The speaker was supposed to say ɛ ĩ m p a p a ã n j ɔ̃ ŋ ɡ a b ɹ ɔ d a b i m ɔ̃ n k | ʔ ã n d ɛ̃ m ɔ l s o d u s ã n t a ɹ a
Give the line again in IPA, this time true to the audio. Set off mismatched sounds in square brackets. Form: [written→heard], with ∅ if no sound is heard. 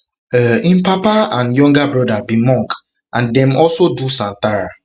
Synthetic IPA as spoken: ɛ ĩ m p a p a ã n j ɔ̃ ŋ ɡ a b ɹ ɔ d a b i m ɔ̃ [n→ŋ] k | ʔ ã n d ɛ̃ m ɔ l s o d u s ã n t a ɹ a

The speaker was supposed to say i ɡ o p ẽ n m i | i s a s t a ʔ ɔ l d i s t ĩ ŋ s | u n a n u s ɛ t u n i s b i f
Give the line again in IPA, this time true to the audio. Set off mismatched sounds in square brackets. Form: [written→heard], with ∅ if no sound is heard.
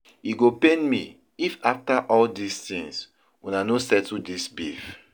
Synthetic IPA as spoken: i ɡ o p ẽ n m i | i [s→f] a [s→f] t a ʔ ɔ l d i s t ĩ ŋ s | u n a n [u→o] s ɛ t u [n→d] i s b i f

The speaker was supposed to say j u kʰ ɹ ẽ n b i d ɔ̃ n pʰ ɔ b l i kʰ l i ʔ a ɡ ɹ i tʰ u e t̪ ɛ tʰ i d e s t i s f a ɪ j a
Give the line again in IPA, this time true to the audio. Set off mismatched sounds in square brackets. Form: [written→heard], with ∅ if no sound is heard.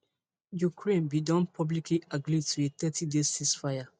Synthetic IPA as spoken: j u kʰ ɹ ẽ n b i d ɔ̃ n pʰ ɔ b l i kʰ l i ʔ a ɡ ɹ i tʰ u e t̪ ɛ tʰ i d e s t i s f a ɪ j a

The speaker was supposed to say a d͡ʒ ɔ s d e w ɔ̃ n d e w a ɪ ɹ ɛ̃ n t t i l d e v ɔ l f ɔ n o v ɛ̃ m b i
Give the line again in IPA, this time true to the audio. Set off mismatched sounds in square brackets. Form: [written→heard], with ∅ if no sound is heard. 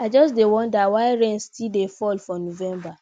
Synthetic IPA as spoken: a d͡ʒ ɔ s d e w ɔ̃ n d [e→a] w a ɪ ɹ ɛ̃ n [t→s] t i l d e [v→f] ɔ l f ɔ n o v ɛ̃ m b [i→a]

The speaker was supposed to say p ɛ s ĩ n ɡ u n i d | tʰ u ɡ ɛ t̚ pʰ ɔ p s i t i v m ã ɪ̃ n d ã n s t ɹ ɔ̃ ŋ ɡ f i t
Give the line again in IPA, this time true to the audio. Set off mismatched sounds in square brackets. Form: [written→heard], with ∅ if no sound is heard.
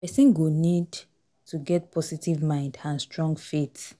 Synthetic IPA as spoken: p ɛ s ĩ n ɡ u n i d | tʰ u ɡ ɛ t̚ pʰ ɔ [p→∅] s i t i v m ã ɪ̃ n d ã n s t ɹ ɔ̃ ŋ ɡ f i t

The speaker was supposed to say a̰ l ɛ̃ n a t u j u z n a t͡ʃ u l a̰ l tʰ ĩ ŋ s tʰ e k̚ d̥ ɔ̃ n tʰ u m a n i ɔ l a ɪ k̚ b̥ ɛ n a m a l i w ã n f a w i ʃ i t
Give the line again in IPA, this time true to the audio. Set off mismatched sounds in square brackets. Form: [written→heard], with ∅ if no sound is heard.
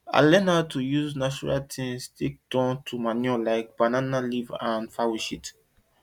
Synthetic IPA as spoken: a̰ l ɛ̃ n a t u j u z n a t͡ʃ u [l→ɹ] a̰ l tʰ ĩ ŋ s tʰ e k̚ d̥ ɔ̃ n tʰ u m a n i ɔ l a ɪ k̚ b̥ [ɛ→a] n a [m→n] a l i [w→v] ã n f a w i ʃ i t

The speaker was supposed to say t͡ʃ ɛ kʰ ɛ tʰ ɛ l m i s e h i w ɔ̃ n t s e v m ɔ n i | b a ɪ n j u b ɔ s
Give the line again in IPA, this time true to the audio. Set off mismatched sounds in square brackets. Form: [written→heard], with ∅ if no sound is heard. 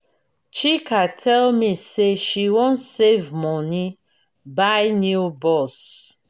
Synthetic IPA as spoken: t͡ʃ [ɛ→i] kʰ [ɛ→a] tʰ ɛ l m i s e [h→ʃ] i w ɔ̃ n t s e v m ɔ n i | b a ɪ n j u b ɔ s

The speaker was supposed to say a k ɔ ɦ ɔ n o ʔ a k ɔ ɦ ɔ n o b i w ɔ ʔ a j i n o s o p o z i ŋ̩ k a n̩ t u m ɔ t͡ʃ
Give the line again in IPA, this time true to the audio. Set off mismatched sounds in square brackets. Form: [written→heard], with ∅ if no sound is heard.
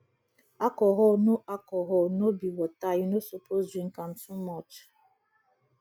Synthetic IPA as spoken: a k ɔ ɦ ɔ n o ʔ a k ɔ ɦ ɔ n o b i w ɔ [ʔ→t] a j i n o s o p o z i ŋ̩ k a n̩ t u m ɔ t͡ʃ

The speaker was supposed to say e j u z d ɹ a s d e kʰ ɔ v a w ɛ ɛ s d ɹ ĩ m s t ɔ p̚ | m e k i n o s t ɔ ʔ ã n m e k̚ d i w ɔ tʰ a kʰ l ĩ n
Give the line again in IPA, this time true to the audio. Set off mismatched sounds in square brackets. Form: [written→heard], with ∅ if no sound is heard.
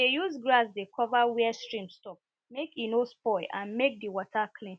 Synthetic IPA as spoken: e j u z [d→ɡ] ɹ a s d e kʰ ɔ v a w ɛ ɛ s [d→t] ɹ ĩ m s t ɔ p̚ | m e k i n o s [t→p] ɔ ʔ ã n m e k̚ d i w ɔ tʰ a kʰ l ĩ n

